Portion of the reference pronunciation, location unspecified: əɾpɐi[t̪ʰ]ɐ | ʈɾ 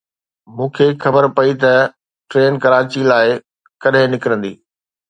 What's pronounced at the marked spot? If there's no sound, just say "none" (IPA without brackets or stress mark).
t̪